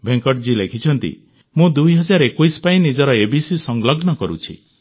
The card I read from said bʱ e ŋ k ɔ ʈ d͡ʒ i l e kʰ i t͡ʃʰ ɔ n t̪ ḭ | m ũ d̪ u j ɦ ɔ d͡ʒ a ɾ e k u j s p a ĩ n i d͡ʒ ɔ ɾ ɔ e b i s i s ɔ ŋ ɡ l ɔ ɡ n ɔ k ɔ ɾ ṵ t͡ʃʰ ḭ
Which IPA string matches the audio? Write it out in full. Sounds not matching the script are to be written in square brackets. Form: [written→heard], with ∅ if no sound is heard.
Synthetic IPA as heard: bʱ e ŋ k ɔ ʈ d͡ʒ i l e kʰ i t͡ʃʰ ɔ n t̪ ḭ | m ũ d̪ u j ɦ ɔ d͡ʒ a ɾ e k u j s p a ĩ n i d͡ʒ ɔ ɾ ɔ e b i s i s ɔ ŋ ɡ l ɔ ɡ n ɔ k ɔ ɾ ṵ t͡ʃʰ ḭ